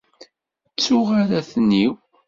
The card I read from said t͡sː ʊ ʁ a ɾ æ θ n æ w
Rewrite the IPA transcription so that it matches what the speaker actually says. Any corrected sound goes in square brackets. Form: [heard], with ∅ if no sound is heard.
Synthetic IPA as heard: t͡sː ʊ ʁ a ɾ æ θ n [i] w